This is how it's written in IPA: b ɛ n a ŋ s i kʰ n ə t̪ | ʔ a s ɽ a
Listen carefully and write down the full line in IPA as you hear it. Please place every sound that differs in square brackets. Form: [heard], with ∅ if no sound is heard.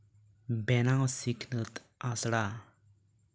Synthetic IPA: b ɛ n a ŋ s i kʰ n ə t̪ | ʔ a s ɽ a